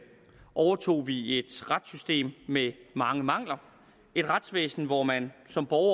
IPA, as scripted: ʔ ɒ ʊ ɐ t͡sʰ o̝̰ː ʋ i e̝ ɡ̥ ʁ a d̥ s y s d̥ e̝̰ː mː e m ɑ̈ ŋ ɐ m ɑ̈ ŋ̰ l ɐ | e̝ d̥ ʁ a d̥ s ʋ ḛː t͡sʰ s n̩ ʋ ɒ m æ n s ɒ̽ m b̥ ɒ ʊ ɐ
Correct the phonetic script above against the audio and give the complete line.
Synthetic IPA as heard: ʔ ɒ ʊ ɐ t͡sʰ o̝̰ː ʋ i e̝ d̥ ʁ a d̥ s y s d̥ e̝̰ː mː e m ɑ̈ ŋ ə m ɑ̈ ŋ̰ l ɐ | e̝ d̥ ʁ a d̥ s ʋ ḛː s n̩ ʋ ɒ m æ n s ɒ̽ m b̥ ɒ ʊ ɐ